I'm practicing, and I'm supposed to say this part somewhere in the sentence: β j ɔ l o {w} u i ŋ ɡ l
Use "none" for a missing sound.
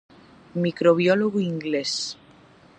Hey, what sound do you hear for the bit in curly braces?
ɣ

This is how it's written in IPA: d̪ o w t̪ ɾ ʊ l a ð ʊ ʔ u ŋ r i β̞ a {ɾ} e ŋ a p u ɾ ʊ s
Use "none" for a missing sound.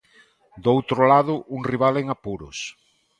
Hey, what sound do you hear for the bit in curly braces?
l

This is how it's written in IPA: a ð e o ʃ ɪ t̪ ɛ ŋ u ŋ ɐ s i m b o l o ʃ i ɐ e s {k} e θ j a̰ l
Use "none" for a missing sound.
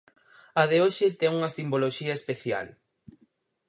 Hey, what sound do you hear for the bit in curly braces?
p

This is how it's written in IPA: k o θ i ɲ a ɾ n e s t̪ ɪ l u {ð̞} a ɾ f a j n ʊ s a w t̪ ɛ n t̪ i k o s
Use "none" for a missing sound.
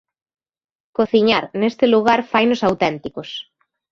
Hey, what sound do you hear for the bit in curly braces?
ɣ̞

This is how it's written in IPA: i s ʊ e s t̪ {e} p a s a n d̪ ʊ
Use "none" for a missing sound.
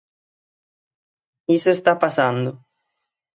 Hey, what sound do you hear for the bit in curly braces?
a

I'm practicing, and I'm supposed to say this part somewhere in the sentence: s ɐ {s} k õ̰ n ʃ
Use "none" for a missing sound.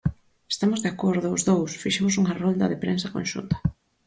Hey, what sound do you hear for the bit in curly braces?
none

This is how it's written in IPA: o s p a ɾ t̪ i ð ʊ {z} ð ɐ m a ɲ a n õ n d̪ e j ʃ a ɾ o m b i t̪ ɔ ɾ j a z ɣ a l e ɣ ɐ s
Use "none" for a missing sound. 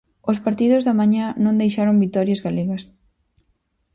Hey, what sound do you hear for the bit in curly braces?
z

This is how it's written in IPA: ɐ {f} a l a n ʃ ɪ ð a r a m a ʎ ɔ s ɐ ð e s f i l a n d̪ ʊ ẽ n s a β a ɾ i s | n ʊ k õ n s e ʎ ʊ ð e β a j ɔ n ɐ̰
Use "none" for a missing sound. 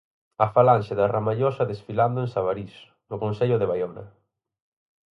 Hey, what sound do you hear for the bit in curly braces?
f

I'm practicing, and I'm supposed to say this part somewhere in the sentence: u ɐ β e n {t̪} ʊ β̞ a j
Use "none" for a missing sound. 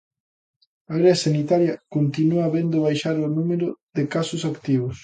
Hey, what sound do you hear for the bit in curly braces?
d̪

